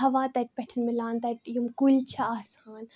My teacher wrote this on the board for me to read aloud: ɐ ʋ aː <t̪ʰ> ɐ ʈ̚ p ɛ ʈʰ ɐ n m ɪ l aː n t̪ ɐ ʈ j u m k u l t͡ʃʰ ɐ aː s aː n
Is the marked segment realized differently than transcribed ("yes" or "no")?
yes